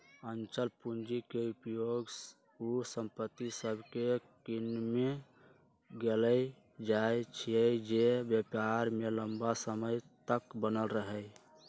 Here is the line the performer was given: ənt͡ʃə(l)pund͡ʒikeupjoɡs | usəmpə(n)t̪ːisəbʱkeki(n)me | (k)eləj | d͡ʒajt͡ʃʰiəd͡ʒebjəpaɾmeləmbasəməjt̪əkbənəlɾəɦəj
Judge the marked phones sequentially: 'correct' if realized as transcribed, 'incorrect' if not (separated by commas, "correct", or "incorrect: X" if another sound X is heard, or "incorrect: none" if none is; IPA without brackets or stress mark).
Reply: correct, incorrect: none, correct, incorrect: ɡ